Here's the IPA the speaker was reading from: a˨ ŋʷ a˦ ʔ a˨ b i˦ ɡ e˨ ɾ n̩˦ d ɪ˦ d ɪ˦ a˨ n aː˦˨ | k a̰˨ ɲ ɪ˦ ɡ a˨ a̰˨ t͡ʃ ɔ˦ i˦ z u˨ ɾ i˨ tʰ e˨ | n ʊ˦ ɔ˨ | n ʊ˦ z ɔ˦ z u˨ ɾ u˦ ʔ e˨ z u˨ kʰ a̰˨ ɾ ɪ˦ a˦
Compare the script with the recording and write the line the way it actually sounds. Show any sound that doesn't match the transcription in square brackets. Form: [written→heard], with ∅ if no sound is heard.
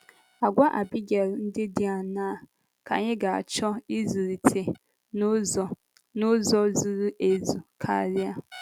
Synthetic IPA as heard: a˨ [ŋʷ→ɡʷ] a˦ ʔ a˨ b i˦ ɡ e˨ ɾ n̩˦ d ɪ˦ d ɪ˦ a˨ n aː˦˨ | k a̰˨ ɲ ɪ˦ ɡ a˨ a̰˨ t͡ʃ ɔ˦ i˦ z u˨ ɾ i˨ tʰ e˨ | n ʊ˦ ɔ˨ | n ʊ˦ z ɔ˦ z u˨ ɾ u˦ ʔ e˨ z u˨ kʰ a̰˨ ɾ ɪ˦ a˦